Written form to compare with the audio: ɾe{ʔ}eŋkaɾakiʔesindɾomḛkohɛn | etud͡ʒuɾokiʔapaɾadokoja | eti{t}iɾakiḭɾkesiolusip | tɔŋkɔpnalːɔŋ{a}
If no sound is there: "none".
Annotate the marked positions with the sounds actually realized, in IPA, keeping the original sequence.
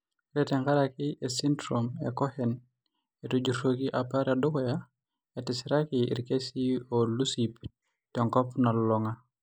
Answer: t, s, a

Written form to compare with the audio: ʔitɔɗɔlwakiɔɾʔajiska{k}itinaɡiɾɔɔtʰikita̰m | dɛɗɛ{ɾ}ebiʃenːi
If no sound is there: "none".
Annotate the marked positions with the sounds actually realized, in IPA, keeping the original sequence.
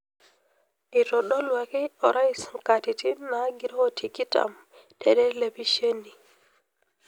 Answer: t, l

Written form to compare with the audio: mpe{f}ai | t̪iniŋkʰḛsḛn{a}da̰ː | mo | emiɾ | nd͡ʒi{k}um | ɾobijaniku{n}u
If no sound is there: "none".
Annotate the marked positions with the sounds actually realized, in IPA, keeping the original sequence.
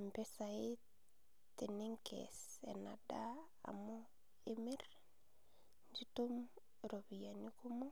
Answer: s, a, t, m

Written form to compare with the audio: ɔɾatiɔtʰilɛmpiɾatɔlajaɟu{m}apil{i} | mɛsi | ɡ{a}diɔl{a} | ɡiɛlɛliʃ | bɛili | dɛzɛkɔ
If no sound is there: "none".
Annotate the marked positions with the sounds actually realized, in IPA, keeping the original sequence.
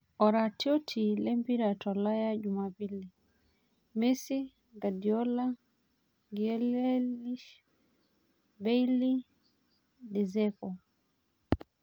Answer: m, i, a, a

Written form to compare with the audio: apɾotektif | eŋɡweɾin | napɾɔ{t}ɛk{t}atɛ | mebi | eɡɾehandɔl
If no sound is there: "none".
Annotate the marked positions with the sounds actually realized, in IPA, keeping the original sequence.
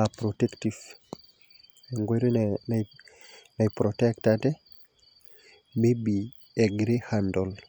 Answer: t, t

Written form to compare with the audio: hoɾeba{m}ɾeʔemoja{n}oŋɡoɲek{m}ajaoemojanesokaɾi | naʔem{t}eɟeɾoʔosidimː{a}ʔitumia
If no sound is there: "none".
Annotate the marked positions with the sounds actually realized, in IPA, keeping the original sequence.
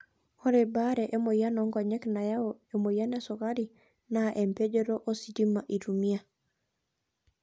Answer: none, n, n, p, a

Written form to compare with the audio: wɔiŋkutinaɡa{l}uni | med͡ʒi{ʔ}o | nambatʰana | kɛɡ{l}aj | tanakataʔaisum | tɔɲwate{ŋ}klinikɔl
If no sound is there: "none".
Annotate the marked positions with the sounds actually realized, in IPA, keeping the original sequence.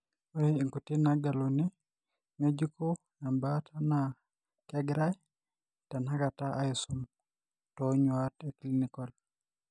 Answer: l, k, ɾ, none

